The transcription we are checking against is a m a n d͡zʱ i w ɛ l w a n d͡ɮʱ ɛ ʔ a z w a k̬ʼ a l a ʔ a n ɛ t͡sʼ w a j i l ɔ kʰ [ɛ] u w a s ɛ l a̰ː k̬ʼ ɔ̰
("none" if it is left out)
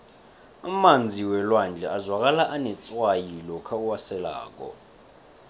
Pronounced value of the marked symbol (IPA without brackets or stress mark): a